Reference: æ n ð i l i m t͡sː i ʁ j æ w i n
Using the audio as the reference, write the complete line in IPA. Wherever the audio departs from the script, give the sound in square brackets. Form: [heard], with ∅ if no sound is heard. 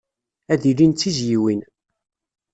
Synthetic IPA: æ [∅] ð i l i [n] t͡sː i [z] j [i] w i n